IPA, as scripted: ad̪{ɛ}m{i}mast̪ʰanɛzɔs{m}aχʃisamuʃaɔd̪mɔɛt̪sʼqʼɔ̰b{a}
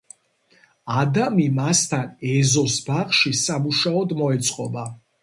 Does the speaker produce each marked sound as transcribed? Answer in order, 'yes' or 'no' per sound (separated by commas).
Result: no, yes, no, yes